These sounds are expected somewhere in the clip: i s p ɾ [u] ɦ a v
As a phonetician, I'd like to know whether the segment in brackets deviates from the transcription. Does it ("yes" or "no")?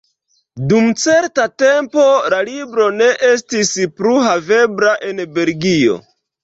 no